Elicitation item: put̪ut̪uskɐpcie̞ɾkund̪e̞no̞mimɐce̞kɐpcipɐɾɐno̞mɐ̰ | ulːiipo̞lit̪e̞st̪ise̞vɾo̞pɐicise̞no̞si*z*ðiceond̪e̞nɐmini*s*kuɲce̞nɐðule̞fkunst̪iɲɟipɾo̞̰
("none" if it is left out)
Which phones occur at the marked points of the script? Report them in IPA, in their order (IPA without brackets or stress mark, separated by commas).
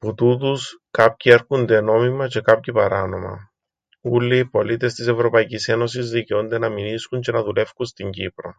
z, s